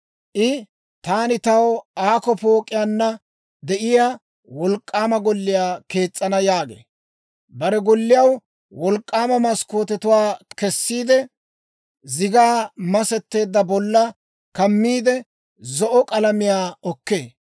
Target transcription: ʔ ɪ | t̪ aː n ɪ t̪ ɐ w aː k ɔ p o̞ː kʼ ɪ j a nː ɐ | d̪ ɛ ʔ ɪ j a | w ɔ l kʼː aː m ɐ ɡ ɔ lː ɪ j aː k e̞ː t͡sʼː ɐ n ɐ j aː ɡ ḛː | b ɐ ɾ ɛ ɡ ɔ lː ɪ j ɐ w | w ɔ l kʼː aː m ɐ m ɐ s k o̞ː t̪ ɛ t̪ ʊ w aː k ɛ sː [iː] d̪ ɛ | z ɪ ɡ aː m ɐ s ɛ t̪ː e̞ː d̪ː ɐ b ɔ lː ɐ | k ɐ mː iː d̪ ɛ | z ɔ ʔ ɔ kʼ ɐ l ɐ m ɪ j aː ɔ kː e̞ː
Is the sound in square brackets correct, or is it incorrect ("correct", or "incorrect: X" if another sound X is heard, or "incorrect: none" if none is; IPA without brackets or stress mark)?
correct